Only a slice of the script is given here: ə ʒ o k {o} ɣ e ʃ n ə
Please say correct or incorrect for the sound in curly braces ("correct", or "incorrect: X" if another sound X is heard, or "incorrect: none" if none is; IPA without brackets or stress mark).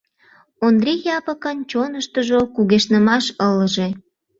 incorrect: u